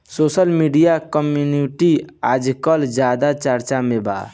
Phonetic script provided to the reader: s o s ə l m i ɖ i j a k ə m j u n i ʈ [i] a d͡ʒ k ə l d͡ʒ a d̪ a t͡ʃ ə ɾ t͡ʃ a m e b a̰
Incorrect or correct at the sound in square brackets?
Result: correct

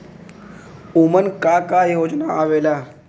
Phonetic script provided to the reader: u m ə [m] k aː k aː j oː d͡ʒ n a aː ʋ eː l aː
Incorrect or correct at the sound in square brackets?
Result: incorrect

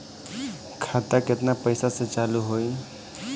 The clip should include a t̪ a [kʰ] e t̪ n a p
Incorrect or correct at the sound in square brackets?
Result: incorrect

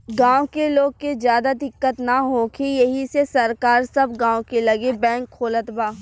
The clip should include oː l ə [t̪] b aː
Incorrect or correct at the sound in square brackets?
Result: correct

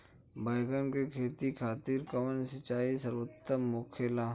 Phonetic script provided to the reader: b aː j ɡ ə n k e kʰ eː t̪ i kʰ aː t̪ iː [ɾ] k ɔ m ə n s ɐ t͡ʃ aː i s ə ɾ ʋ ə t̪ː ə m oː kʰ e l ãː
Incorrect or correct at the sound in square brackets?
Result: correct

